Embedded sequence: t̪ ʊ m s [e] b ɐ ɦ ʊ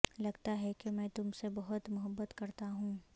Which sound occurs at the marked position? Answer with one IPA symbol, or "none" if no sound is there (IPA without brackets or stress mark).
e